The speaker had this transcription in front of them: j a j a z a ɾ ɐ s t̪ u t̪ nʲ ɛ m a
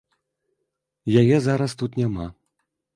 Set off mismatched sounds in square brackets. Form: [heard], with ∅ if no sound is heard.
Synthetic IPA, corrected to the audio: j a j [ɛ] z a ɾ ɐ s t̪ u t̪ nʲ [a] m a